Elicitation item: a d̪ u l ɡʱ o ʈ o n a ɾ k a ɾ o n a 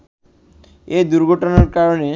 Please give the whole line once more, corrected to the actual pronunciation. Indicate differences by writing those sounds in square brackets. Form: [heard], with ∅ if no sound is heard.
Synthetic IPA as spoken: [e] d̪ u [ɾ] ɡʱ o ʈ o n a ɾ k a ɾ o n [e]